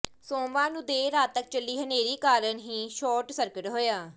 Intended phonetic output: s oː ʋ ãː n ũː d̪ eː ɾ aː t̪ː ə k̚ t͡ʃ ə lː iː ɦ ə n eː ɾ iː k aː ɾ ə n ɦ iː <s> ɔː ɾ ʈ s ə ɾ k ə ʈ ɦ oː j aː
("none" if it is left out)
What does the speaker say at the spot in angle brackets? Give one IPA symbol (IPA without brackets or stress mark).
ʃ